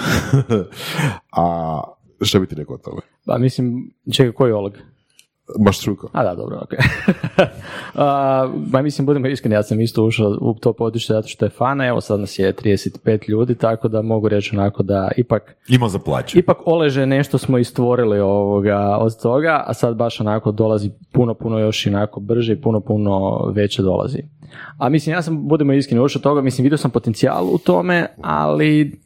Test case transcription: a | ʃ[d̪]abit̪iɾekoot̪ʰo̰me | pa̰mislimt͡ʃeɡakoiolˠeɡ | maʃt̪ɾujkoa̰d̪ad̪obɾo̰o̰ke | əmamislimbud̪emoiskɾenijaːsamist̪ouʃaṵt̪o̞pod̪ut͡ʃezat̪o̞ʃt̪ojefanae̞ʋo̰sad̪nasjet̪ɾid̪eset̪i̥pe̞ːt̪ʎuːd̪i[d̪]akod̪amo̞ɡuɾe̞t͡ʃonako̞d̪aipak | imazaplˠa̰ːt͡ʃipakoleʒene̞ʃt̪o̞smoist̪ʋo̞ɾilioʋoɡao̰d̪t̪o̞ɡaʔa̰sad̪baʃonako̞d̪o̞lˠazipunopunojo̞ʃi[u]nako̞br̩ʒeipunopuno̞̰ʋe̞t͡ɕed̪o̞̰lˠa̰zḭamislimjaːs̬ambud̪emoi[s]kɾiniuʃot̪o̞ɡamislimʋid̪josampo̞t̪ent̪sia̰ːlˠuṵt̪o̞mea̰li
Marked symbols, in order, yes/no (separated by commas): no, no, no, yes